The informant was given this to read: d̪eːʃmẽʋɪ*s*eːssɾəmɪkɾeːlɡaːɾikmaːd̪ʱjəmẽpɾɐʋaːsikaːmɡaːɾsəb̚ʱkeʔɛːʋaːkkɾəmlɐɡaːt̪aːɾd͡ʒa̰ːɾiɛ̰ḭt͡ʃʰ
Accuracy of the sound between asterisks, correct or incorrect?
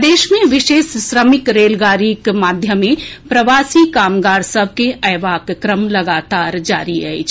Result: incorrect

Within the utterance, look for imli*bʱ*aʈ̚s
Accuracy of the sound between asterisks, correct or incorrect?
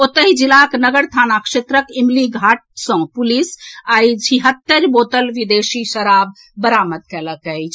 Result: incorrect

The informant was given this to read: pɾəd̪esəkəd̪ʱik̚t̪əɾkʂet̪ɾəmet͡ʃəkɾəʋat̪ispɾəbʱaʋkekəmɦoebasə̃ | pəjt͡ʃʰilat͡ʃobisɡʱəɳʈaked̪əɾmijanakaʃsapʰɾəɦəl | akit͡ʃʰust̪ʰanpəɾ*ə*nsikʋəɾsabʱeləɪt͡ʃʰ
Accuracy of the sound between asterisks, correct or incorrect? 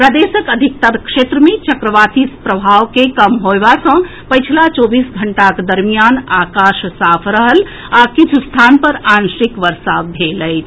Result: incorrect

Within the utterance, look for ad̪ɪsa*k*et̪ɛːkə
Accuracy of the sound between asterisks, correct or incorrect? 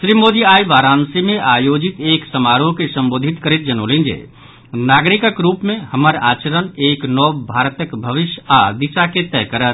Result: correct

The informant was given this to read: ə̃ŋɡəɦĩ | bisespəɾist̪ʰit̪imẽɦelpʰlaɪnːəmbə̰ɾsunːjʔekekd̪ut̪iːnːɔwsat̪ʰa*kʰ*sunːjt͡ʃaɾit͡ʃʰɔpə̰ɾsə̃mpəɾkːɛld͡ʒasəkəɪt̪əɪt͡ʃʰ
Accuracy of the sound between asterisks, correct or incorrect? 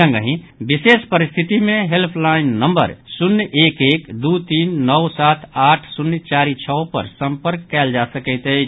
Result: incorrect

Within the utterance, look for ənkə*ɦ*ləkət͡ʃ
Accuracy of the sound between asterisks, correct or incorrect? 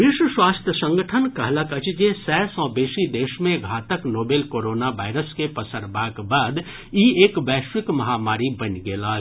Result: correct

